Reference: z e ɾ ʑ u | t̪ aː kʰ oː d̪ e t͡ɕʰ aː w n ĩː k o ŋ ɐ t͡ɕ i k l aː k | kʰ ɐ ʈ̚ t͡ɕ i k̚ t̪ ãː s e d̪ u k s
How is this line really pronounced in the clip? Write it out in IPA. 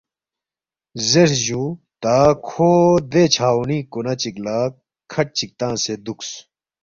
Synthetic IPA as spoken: z e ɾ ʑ u | t̪ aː kʰ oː d̪ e t͡ɕʰ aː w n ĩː k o n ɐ t͡ɕ i k l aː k | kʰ ɐ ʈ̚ t͡ɕ i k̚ t̪ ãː s e d̪ u k s